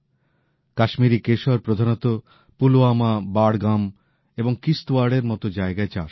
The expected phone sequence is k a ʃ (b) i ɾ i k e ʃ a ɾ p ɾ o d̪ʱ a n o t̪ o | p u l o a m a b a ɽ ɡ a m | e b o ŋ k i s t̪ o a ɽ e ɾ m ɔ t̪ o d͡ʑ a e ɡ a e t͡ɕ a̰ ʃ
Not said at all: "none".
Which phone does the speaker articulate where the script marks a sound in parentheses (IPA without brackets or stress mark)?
m